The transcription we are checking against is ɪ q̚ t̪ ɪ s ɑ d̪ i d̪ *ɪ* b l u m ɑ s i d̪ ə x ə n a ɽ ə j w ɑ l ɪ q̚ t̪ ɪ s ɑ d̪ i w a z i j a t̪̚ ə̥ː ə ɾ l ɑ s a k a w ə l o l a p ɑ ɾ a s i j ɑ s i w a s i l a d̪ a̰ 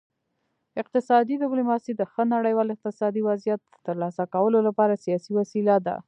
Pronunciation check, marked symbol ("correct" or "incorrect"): correct